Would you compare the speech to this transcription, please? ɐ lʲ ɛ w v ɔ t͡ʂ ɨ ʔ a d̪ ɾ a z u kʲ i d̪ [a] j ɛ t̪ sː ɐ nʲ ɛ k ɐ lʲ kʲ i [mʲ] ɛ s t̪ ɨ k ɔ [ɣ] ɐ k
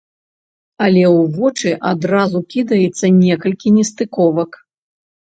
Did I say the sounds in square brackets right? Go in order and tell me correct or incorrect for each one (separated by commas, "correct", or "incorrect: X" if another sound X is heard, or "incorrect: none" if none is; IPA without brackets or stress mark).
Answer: incorrect: ɐ, incorrect: nʲ, incorrect: v